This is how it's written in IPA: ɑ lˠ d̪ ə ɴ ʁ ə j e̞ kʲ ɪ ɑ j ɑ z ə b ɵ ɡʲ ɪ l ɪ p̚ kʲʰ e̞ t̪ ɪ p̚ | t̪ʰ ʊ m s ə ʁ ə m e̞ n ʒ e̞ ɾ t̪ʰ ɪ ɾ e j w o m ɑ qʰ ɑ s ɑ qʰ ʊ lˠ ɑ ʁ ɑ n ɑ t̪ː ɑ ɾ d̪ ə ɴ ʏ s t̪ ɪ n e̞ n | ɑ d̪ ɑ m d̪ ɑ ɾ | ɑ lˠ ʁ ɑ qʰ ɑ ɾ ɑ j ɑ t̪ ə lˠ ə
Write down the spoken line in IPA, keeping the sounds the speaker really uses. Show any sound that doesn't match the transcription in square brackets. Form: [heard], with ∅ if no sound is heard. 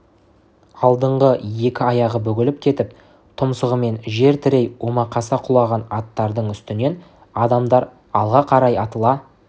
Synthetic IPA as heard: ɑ lˠ d̪ ə ɴ ʁ ə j e̞ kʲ ɪ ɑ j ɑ [ʁ] ə b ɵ ɡʲ ɪ l ɪ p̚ kʲʰ e̞ t̪ ɪ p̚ | t̪ʰ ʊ m s ə ʁ ə m e̞ n ʒ e̞ ɾ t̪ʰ ɪ ɾ e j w o m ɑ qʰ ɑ s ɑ qʰ ʊ lˠ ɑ ʁ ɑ n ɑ t̪ː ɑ ɾ d̪ ə ɴ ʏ s t̪ ɪ n e̞ n | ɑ d̪ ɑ m d̪ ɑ ɾ | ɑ lˠ ʁ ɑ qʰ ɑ ɾ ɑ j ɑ t̪ ə lˠ [ɑ]